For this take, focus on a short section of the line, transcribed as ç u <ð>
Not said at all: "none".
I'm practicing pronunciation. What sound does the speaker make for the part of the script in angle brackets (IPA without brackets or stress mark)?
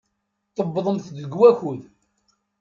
ð